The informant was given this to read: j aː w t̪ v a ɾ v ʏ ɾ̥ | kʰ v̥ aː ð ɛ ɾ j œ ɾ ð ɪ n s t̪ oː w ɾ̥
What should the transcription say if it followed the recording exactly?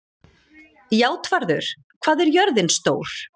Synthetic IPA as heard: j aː w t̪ v a ɾ ð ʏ ɾ̥ | kʰ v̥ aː ð ɛ ɾ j œ ɾ ð ɪ n s t̪ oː w ɾ̥